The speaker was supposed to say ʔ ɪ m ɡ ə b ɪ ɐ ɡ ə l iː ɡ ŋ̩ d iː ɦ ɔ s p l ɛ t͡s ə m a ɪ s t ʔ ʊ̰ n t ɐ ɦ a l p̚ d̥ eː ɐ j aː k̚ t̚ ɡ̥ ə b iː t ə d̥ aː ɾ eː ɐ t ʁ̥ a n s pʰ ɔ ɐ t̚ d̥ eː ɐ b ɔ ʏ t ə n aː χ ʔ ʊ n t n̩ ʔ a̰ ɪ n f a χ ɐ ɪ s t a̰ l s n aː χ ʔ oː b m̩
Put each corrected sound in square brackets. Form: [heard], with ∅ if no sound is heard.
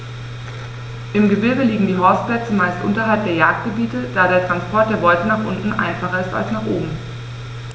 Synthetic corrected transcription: ʔ ɪ m ɡ ə b ɪ ɐ ɡ ə l iː ɡ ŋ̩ d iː ɦ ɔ s p l ɛ t͡s ə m a ɪ s t ʔ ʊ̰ n t ɐ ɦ a l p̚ d̥ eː ɐ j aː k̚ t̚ ɡ̥ ə b iː t ə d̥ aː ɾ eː ɐ t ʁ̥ a n s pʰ ɔ ɐ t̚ d̥ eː ɐ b ɔ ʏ t ə n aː χ ʔ ʊ n t n̩ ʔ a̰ ɪ n f a χ ɐ ɪ s t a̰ l s n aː χ ʔ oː b m̩